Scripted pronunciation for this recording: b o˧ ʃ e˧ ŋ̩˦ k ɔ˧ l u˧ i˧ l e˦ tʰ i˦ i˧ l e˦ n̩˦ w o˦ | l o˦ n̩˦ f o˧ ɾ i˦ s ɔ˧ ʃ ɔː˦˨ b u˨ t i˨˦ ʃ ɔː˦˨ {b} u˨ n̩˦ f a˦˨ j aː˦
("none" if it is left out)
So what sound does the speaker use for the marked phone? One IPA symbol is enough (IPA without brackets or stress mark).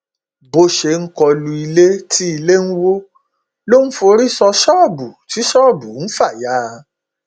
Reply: b